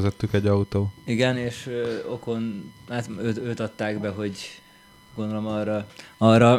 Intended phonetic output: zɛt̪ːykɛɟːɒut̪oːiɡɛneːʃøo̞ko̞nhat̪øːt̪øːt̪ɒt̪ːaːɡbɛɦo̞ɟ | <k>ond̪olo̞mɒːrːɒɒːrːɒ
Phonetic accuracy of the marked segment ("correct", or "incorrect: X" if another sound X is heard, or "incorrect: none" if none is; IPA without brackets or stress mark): incorrect: ɡ